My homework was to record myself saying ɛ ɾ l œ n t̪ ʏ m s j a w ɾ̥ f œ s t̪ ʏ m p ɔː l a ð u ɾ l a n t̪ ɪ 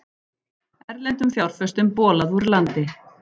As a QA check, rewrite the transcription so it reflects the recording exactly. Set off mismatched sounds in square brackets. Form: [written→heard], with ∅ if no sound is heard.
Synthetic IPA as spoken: ɛ ɾ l [œ→ɛ] n t̪ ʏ m [s→f] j a w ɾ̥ f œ s t̪ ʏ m p ɔː l a ð u ɾ l a n t̪ ɪ